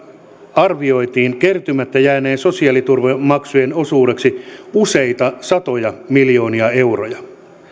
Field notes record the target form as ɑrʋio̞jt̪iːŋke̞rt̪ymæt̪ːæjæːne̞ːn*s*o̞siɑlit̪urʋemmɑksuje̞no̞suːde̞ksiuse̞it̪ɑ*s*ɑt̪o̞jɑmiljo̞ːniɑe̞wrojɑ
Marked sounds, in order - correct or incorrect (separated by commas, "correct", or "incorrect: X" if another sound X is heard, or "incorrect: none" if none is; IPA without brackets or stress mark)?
correct, correct